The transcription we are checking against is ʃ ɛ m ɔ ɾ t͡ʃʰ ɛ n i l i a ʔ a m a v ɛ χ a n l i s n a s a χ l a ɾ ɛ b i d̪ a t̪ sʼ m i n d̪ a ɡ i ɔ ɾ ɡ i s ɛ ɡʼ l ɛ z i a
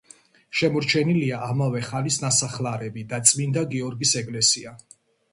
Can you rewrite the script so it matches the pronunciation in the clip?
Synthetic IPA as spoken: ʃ ɛ m ɔ ɾ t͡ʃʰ ɛ n i l i a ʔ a m a v ɛ χ a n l i s n a s a χ l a ɾ ɛ b i d̪ a t̪ sʼ m i n d̪ a ɡ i ɔ ɾ ɡ i s ɛ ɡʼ l ɛ s i a